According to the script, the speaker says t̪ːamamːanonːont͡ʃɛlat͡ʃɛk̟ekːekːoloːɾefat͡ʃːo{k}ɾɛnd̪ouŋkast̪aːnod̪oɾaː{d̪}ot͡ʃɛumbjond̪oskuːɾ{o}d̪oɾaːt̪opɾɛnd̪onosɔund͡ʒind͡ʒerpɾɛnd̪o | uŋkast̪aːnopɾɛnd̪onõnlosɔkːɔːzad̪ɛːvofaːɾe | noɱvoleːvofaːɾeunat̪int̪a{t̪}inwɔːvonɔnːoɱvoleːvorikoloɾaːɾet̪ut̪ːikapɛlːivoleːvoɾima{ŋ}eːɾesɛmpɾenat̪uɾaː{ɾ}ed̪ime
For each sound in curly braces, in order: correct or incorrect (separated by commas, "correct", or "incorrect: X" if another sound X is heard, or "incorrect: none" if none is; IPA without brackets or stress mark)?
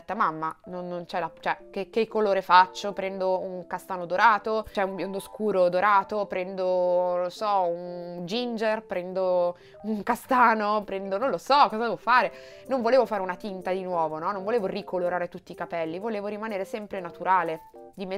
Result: incorrect: p, incorrect: t̪, correct, incorrect: d̪, incorrect: n, incorrect: l